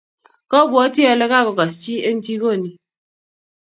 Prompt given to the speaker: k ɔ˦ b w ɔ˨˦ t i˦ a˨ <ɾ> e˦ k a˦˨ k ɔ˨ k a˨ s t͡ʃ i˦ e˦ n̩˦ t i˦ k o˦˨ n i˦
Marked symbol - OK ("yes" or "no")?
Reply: no